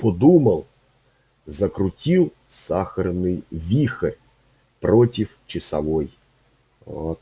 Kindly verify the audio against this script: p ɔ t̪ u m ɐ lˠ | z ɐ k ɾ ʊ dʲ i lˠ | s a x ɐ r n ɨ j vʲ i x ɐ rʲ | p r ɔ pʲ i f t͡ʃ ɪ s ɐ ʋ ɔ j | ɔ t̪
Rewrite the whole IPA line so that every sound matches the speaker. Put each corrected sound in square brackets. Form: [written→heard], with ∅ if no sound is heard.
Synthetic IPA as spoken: p ɔ [t̪→d̪] u m ɐ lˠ | z ɐ k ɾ ʊ [dʲ→tʲ] i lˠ | s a x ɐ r n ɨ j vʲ i x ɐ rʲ | p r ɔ [pʲ→tʲ] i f t͡ʃ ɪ s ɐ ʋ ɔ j | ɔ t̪